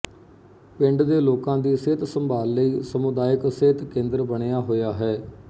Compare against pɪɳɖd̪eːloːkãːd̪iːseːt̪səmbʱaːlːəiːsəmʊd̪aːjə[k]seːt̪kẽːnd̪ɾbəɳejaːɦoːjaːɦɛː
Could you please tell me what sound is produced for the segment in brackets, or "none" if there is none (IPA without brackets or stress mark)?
k